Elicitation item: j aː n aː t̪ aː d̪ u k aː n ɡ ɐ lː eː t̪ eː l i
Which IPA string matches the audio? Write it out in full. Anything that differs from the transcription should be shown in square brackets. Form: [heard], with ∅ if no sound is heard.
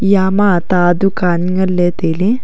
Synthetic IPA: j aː [m] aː t̪ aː d̪ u k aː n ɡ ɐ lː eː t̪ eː l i